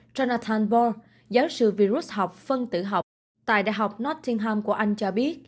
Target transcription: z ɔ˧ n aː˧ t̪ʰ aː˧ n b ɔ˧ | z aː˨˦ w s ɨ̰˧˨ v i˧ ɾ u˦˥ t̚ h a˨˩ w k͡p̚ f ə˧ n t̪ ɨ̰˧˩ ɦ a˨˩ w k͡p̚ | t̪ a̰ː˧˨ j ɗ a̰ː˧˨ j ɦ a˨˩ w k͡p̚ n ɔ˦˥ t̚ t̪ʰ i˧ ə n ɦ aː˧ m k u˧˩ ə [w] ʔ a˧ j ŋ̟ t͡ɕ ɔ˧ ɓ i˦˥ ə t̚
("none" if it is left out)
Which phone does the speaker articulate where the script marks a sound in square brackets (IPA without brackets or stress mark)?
none